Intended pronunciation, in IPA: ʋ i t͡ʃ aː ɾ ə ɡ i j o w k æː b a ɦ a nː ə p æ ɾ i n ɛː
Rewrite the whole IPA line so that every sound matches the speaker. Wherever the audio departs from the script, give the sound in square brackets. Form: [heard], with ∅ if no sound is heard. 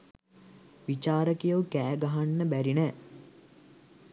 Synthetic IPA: ʋ i t͡ʃ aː ɾ ə [k] i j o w k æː [ɡ] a ɦ a nː ə [b] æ ɾ i n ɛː